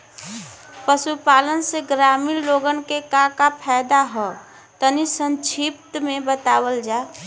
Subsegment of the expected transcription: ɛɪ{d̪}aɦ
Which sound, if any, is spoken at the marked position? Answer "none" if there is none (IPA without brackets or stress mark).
d̪